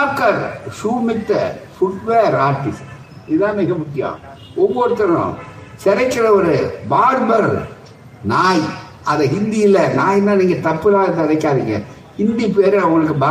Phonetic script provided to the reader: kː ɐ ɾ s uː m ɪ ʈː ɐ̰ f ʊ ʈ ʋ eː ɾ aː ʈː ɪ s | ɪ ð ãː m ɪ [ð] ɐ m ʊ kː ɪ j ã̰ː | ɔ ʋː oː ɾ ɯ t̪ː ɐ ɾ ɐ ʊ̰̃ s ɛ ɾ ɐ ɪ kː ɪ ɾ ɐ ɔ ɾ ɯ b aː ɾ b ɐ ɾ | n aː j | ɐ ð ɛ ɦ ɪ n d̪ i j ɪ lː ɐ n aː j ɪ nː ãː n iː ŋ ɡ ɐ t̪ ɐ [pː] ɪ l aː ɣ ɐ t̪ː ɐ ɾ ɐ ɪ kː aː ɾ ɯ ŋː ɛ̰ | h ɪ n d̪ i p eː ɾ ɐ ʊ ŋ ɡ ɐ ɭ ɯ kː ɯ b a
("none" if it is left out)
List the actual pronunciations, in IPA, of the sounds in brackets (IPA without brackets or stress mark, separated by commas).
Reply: ɣ, pː